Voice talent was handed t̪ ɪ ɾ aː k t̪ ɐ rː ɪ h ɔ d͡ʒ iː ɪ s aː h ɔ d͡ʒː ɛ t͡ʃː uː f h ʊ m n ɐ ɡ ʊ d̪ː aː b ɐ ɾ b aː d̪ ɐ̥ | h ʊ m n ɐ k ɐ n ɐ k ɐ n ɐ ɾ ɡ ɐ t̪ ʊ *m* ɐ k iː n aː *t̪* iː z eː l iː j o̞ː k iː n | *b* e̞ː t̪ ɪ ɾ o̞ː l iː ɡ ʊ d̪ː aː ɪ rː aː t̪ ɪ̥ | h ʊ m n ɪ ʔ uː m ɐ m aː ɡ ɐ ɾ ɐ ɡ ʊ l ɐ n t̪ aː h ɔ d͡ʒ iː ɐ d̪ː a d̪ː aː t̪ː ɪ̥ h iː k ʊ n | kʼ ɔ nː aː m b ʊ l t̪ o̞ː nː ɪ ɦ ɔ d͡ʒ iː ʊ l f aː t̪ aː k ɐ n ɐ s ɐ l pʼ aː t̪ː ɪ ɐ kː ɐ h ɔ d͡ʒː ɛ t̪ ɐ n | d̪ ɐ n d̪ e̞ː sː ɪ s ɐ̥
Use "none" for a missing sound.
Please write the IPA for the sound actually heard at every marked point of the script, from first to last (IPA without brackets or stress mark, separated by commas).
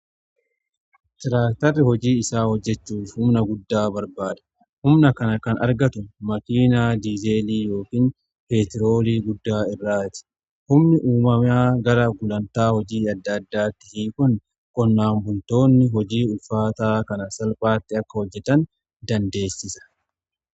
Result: m, d̪, p